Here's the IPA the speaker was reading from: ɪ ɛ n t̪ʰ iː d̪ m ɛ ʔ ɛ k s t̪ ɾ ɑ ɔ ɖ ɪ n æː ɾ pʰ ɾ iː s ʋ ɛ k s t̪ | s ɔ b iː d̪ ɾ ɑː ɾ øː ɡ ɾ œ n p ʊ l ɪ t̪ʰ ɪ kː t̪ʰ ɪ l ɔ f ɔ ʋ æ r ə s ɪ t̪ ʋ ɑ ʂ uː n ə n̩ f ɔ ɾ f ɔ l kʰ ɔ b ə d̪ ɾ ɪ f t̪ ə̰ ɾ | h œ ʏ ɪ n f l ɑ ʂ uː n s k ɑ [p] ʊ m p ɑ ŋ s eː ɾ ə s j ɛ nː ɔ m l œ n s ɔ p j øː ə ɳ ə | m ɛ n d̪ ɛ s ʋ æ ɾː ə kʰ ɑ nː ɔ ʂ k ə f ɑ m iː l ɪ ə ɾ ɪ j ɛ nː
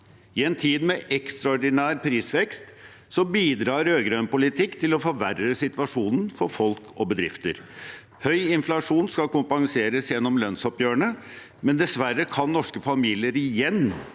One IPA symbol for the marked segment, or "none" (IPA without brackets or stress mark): k